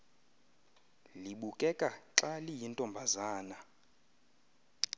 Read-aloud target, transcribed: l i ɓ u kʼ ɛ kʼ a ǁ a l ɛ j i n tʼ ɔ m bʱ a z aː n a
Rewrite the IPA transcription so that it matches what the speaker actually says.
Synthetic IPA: l i ɓ u kʼ ɛ kʼ a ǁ a l i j i n tʼ ɔ m bʱ a z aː n a